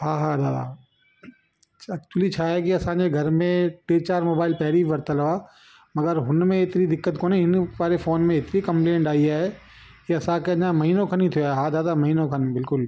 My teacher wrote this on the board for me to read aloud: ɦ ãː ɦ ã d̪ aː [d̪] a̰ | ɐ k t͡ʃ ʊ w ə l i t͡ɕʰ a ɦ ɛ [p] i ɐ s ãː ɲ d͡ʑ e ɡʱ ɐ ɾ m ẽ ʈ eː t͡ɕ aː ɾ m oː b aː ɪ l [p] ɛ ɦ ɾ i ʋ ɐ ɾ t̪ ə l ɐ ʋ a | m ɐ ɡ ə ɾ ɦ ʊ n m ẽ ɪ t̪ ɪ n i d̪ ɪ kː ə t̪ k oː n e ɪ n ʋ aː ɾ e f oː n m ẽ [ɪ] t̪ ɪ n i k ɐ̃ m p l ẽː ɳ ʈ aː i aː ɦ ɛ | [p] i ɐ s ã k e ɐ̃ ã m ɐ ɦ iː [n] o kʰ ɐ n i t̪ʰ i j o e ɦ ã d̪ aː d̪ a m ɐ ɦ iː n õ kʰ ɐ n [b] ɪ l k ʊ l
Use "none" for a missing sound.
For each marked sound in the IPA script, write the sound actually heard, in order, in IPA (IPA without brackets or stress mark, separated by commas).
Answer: d̪, k, p, ɪ, k, n, b